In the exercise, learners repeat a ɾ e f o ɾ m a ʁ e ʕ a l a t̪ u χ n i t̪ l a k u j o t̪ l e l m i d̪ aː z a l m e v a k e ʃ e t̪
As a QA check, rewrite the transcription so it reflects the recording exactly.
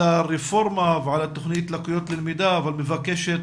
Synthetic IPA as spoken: a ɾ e f o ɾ m a v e ʕ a l a t̪ o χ n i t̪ l a k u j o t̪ l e l m i d̪ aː v a l m e v a k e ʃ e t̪